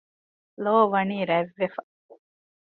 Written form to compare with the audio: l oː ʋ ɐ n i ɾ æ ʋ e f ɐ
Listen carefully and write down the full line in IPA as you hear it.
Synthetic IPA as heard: l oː ʋ ɐ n iː ɾ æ ʋː e f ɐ